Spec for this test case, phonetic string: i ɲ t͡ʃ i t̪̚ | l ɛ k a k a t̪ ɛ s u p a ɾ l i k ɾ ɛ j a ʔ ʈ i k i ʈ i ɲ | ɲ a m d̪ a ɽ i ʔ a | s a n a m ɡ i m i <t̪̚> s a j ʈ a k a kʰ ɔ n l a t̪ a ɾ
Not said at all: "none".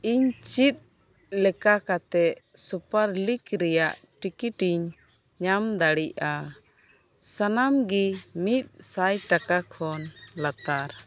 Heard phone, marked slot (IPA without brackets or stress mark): t̪̚